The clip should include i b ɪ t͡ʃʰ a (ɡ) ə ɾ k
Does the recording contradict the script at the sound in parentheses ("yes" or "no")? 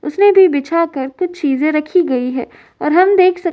yes